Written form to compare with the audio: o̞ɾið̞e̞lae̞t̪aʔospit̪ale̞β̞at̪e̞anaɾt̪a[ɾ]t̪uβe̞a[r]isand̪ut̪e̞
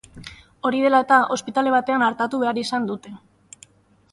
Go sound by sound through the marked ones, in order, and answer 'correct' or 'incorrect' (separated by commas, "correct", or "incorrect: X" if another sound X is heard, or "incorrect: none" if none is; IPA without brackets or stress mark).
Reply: incorrect: none, incorrect: ɾ